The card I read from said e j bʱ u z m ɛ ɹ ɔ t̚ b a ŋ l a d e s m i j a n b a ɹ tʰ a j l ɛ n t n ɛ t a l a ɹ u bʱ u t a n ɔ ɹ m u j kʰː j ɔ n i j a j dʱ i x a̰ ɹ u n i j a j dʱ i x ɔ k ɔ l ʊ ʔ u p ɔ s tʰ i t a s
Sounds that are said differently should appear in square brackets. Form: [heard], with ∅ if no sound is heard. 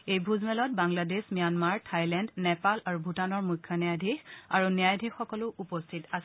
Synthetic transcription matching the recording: e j bʱ u z m ɛ [l] ɔ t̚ b a ŋ l a d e s m i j a n [m] a ɹ tʰ a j l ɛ n [d] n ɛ [p] a l a ɹ u bʱ u t a n ɔ ɹ m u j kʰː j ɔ n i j a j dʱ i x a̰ ɹ u n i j a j dʱ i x ɔ k ɔ l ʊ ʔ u p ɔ s tʰ i t a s